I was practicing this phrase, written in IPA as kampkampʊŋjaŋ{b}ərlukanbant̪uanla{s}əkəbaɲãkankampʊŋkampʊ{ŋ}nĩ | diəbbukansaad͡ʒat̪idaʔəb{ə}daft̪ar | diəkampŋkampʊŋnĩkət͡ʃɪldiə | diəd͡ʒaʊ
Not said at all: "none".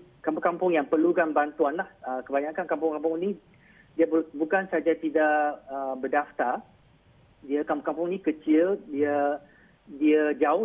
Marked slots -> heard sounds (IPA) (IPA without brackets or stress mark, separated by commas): p, h, ŋ, ə